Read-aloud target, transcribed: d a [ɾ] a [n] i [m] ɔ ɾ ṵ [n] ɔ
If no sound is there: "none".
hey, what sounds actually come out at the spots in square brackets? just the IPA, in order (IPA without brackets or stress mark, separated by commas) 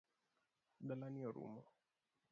l, n, none, m